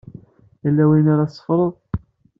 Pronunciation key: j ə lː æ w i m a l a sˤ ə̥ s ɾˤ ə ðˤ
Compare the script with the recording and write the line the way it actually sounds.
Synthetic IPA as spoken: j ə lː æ w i n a ɾ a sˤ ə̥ f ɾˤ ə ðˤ